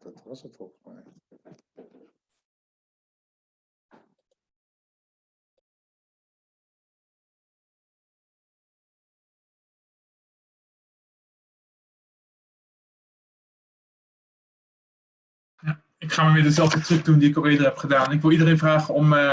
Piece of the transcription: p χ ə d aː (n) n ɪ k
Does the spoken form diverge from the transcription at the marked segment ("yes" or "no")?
no